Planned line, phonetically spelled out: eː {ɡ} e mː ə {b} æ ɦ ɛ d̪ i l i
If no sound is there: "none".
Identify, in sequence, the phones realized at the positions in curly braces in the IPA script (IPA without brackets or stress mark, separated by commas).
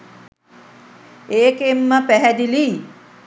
k, p